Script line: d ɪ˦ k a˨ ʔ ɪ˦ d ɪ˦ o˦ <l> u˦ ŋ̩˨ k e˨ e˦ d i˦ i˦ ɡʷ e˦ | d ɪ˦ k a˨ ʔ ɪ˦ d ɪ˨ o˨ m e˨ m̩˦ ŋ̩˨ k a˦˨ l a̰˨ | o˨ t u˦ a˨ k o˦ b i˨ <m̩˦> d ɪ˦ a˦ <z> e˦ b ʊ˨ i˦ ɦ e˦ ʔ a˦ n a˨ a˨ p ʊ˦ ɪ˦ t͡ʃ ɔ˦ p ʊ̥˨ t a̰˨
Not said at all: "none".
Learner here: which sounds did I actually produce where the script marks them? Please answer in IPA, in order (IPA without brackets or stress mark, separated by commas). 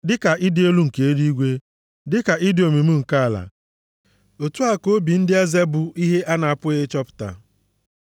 l, n̩˦, z